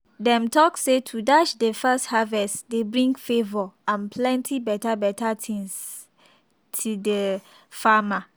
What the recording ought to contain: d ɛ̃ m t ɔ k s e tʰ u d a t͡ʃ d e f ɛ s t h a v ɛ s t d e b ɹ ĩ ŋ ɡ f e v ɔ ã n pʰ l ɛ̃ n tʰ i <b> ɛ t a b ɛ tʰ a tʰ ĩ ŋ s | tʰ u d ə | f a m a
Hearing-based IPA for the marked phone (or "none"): b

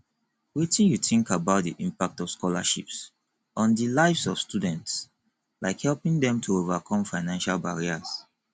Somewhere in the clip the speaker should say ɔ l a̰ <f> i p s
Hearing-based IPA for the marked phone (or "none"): ʃ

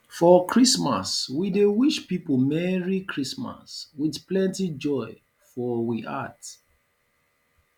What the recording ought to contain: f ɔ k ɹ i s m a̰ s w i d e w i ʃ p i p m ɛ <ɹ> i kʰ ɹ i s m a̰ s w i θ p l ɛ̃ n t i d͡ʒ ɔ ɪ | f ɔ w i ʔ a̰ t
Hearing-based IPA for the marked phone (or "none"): ɹ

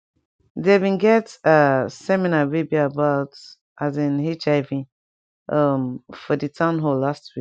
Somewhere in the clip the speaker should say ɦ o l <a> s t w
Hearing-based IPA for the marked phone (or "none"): a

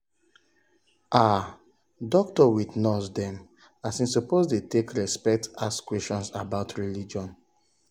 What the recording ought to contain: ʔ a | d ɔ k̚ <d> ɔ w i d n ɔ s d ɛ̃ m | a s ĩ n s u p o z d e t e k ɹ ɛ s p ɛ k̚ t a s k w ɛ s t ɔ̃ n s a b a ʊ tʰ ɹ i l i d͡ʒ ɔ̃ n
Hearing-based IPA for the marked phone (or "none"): t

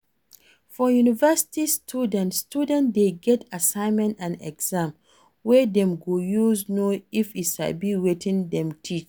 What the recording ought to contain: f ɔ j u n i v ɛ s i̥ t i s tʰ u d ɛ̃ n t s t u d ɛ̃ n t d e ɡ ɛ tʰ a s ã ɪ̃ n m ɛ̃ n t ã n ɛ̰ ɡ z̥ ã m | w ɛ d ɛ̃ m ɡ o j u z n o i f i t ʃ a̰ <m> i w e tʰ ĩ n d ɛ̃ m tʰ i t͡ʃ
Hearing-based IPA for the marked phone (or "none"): b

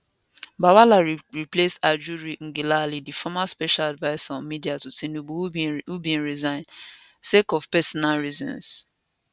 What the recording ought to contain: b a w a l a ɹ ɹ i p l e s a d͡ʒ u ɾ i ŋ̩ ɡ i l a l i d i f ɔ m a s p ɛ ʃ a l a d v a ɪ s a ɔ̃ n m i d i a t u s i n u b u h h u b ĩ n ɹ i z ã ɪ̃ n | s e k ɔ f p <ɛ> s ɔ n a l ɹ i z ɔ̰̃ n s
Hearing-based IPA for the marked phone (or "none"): ɛ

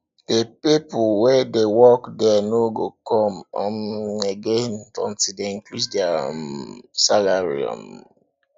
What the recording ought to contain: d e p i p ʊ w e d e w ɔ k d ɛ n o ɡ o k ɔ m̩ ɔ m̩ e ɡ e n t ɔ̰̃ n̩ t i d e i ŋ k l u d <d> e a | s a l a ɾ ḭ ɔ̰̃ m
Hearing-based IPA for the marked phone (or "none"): d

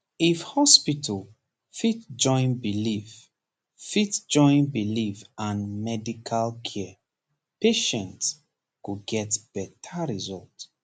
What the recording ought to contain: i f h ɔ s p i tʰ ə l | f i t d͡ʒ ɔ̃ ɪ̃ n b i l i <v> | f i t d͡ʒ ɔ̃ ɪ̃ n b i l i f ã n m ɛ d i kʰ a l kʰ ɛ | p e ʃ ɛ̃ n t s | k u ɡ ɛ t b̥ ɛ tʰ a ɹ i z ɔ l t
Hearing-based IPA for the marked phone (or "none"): f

